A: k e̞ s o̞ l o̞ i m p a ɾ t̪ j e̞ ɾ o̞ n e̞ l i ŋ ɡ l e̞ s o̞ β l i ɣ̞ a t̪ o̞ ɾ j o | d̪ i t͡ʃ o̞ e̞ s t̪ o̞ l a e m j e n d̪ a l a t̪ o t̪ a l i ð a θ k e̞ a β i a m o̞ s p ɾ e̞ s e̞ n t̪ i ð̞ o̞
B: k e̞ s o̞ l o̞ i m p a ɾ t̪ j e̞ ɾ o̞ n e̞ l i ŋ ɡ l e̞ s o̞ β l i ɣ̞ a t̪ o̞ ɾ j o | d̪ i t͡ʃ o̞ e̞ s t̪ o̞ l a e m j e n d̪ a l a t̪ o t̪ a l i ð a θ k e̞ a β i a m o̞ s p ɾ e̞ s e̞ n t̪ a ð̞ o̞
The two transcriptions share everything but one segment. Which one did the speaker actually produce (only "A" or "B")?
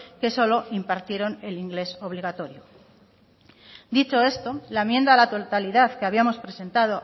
B